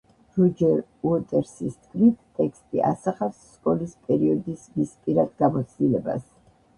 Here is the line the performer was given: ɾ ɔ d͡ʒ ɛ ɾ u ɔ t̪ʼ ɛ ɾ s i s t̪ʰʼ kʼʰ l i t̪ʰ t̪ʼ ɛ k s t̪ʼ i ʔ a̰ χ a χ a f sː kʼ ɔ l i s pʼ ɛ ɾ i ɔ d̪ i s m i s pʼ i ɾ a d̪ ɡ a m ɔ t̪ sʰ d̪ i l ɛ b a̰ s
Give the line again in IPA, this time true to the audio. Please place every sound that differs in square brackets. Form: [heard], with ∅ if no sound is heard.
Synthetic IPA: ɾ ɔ d͡ʒ ɛ ɾ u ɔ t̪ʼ ɛ ɾ s i s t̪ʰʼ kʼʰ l i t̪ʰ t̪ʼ ɛ k s t̪ʼ i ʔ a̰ [s] a χ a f sː kʼ ɔ l i s pʼ ɛ ɾ i ɔ d̪ i s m i s pʼ i ɾ a d̪ ɡ a m ɔ t̪ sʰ d̪ i l ɛ b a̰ s

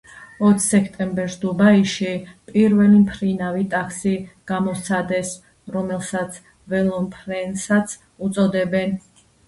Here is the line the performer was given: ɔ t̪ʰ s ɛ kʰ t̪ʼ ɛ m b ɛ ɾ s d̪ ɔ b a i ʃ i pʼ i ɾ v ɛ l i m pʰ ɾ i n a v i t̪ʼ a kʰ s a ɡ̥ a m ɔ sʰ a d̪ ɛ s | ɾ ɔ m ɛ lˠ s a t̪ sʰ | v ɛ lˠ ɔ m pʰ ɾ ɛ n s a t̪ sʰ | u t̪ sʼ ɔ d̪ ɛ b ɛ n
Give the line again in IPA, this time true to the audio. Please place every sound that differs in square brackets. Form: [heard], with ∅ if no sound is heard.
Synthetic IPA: ɔ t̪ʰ s ɛ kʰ t̪ʼ ɛ m b ɛ ɾ s d̪ [u] b a i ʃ i pʼ i ɾ v ɛ l i m pʰ ɾ i n a v i t̪ʼ a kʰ s [i] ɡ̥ a m ɔ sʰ a d̪ ɛ s | ɾ ɔ m ɛ lˠ s a t̪ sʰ | v ɛ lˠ ɔ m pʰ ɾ ɛ n s a t̪ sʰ | u t̪ sʼ ɔ d̪ ɛ b ɛ n

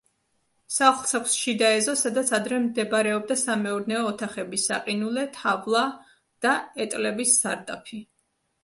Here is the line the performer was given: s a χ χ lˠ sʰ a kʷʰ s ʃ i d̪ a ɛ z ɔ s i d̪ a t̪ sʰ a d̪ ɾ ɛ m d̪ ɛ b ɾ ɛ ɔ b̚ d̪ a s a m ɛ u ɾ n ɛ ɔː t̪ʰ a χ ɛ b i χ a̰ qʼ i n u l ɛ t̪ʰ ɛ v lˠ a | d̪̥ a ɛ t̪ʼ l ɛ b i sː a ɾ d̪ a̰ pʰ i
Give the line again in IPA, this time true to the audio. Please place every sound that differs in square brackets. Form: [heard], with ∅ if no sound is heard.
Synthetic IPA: s a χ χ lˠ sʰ a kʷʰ s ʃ i d̪ a ɛ z ɔ s [a] d̪ a t̪ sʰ a d̪ ɾ ɛ m d̪ ɛ b ɾ ɛ ɔ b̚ d̪ a s a m ɛ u ɾ n ɛ ɔː t̪ʰ a χ ɛ b i [s] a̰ qʼ i n u l ɛ t̪ʰ [a] v lˠ a | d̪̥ a ɛ t̪ʼ l ɛ b i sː a ɾ d̪ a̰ pʰ i

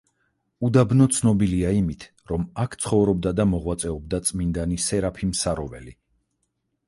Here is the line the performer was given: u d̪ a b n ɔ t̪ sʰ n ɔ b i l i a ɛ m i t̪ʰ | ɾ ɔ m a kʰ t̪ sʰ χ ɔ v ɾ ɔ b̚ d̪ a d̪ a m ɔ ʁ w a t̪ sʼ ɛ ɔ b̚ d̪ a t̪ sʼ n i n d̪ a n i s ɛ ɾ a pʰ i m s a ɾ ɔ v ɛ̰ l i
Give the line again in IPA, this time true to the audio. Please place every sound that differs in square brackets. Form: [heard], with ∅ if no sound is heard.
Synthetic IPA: u d̪ a b n ɔ t̪ sʰ n ɔ b i l i a [i] m i t̪ʰ | ɾ ɔ m a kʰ t̪ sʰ χ ɔ v ɾ ɔ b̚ d̪ a d̪ a m ɔ ʁ w a t̪ sʼ ɛ ɔ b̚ d̪ a t̪ sʼ [m] i n d̪ a n i s ɛ ɾ a pʰ i m s a ɾ ɔ v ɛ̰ l i

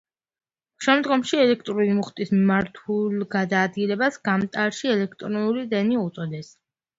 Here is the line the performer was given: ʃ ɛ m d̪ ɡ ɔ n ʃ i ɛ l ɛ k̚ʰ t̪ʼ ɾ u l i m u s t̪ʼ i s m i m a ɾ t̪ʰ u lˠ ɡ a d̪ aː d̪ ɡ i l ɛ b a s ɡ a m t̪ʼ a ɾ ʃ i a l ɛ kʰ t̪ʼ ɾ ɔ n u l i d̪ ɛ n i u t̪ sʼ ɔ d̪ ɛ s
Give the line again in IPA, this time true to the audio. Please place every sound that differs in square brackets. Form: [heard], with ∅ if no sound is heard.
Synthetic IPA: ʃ ɛ m d̪ ɡ ɔ [m] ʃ i ɛ l ɛ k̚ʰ t̪ʼ ɾ u l i m u [χ] t̪ʼ i s m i m a ɾ t̪ʰ u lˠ ɡ a d̪ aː d̪ ɡ i l ɛ b a s ɡ a m t̪ʼ a ɾ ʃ i [ɛ] l ɛ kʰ t̪ʼ ɾ ɔ n u l i d̪ ɛ n i u t̪ sʼ ɔ d̪ ɛ s

